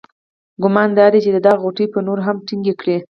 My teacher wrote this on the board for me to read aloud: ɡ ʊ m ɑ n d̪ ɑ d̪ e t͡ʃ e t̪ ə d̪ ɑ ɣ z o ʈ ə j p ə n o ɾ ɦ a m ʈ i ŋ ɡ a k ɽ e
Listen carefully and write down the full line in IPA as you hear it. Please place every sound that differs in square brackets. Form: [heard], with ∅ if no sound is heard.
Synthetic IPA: ɡ ʊ m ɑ n d̪ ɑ d̪ e t͡ʃ e [d̪] ə d̪ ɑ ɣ [ɣ] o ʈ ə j p ə n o ɾ ɦ a m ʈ i ŋ ɡ [e] k ɽ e